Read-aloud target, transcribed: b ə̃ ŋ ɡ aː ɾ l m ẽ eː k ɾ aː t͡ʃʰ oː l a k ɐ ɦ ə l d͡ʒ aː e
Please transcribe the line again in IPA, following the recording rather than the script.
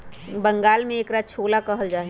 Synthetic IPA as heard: b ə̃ ŋ ɡ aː l m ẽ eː k ɾ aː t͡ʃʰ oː l a k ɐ ɦ ə l d͡ʒ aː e